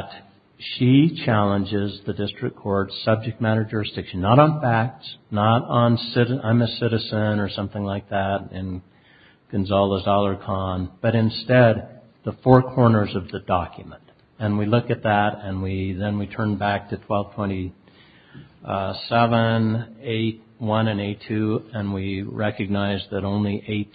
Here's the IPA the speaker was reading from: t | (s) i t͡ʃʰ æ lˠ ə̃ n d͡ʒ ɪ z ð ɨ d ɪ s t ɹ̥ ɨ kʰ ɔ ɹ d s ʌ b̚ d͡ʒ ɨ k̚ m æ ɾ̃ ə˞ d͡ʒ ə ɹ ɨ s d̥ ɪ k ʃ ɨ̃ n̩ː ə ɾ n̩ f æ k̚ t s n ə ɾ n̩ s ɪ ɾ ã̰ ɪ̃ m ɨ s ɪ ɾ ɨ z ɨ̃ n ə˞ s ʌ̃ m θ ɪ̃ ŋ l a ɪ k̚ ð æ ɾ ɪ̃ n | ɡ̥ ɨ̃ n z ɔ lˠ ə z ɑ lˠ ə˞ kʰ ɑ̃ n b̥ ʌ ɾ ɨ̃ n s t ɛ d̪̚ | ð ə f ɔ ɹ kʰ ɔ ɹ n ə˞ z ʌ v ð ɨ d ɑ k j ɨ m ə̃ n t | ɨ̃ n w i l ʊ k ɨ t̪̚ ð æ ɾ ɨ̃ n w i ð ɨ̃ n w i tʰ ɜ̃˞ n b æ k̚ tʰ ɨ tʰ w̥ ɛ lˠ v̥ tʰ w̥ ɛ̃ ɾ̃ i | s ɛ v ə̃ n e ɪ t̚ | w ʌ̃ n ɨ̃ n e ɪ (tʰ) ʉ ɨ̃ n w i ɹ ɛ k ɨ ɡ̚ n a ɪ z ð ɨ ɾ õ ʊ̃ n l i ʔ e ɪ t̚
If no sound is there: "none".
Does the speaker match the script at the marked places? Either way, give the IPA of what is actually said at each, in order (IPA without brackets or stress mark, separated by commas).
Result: ʃ, tʰ